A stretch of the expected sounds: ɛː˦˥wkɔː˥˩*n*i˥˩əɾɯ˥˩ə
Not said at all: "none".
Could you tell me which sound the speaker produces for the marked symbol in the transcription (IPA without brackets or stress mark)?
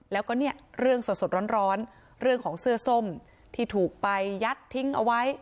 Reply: n